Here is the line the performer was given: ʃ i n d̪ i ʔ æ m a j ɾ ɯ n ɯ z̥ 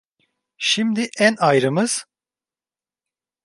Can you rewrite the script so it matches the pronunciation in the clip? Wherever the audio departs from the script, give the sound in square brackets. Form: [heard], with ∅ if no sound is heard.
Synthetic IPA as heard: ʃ i [m] d̪ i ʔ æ [n] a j ɾ ɯ [m] ɯ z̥